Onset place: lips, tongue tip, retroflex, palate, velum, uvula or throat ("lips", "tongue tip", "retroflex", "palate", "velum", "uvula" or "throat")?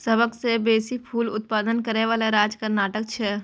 tongue tip